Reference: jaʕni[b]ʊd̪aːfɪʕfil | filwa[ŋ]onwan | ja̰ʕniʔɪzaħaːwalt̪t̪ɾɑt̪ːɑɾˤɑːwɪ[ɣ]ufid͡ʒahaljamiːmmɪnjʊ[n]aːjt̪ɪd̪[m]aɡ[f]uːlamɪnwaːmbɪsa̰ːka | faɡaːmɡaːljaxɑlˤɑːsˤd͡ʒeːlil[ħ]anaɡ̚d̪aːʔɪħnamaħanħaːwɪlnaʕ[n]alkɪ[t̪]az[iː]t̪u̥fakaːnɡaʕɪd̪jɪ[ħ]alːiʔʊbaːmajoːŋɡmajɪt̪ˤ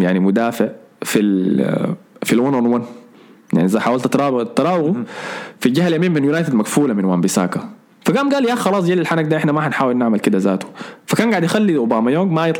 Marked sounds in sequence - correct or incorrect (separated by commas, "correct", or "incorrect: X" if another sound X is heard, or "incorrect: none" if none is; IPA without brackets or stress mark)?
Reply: incorrect: m, incorrect: n, correct, correct, correct, correct, correct, incorrect: m, incorrect: d̪, incorrect: aː, incorrect: x